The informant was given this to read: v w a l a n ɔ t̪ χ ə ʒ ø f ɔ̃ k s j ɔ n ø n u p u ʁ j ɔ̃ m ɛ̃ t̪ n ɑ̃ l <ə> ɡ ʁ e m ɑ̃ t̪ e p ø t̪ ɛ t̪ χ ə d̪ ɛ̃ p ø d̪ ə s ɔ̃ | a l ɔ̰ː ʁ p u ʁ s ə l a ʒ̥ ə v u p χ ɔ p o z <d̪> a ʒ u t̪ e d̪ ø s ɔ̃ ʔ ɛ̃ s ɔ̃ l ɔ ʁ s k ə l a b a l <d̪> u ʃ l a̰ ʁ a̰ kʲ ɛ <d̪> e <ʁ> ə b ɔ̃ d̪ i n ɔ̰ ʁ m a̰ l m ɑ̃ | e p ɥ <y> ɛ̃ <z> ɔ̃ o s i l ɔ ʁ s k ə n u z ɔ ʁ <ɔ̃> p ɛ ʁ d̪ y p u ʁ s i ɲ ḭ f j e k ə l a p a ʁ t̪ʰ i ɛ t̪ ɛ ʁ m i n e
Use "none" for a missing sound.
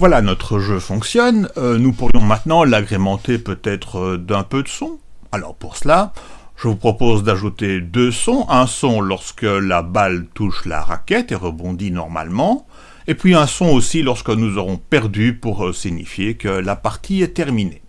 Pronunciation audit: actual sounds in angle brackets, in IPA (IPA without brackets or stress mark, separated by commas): a, d̪, t̪, t̪, ʁ, i, s, ɔ̃